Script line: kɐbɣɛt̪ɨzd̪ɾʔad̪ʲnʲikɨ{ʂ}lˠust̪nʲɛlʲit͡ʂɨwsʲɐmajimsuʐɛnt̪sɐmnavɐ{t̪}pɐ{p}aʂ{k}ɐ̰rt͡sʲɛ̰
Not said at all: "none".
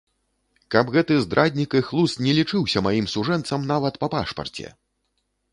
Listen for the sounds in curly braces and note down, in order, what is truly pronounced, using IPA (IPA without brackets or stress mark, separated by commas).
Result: x, t̪, p, p